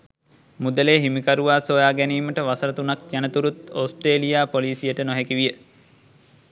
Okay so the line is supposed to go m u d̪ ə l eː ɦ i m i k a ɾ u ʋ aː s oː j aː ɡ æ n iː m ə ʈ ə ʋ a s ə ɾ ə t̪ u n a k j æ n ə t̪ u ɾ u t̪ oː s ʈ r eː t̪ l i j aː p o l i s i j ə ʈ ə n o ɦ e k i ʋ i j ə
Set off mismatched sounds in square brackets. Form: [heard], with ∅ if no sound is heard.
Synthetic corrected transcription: m u d̪ ə l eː ɦ i m i k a ɾ u ʋ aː s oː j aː ɡ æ n iː m ə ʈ ə ʋ a s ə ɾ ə t̪ u n a k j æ n ə t̪ u ɾ u t̪ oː s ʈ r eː [∅] l i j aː p o l [iː] s i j ə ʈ ə n o ɦ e k i ʋ i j ə